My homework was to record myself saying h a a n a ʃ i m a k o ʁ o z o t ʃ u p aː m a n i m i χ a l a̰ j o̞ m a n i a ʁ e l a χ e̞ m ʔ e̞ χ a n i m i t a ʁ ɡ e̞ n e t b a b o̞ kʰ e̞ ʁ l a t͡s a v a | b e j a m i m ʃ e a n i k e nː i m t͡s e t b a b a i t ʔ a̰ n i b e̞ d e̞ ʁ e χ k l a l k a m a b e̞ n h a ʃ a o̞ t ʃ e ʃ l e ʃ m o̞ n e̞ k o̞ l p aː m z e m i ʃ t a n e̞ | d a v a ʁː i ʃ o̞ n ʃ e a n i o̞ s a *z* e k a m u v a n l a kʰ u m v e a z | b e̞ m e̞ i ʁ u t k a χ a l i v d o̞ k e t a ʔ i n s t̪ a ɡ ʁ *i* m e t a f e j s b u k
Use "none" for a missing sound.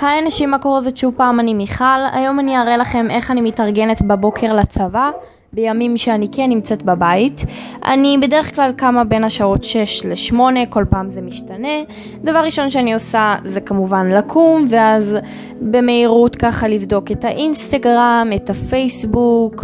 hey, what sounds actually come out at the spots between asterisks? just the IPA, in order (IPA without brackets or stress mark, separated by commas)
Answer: z, a